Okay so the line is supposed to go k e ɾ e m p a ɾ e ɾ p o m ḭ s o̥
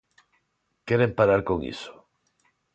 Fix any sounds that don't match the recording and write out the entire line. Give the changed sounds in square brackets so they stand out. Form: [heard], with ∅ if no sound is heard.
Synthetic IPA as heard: k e ɾ e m p a ɾ [a] ɾ [k] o [ŋ] ḭ s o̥